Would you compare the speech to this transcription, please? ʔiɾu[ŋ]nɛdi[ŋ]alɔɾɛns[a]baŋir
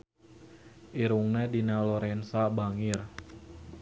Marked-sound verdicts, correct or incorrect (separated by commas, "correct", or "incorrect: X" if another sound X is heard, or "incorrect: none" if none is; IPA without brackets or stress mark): correct, incorrect: n, correct